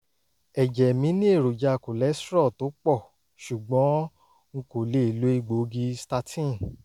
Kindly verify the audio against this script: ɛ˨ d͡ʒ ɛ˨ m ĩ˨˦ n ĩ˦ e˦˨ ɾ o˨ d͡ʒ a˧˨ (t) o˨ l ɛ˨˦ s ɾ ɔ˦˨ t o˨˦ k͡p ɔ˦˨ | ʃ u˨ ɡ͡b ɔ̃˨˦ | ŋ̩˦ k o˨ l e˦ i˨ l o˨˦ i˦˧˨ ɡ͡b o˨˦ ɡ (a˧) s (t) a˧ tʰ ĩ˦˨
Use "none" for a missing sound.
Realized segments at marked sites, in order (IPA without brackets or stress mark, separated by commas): k, i˧, t